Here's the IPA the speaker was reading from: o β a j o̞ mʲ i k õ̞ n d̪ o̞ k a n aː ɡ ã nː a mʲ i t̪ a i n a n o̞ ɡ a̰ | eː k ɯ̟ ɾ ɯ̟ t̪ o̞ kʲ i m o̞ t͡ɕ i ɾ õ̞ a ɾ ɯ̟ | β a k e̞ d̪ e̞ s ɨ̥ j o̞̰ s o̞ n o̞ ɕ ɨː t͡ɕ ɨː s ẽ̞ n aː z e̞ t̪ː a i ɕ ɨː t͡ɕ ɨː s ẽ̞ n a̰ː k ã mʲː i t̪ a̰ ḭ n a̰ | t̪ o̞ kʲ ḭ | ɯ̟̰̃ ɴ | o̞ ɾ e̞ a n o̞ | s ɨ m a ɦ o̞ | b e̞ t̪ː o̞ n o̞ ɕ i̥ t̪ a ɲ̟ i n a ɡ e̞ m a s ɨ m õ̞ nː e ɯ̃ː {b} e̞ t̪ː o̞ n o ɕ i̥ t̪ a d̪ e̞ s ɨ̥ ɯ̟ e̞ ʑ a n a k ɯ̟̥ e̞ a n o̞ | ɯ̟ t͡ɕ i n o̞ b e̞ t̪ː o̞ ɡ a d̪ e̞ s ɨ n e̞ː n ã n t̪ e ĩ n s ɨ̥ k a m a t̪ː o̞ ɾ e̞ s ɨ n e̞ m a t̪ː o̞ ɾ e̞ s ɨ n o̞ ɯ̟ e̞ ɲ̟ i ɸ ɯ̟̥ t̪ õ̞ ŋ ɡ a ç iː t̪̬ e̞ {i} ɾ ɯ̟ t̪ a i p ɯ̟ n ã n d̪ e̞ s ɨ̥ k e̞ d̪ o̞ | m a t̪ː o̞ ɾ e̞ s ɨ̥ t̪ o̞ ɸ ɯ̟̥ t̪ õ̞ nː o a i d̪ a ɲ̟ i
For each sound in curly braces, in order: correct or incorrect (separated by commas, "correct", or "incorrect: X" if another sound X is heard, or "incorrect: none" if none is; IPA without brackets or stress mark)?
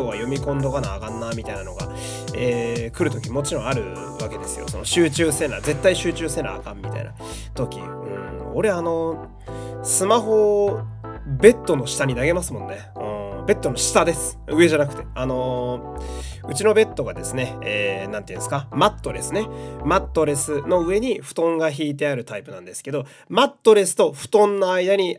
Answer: correct, incorrect: a